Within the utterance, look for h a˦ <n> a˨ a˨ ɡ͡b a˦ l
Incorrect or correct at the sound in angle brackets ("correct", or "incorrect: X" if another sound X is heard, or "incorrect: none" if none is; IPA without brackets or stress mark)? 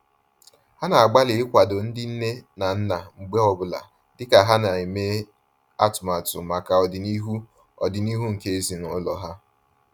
correct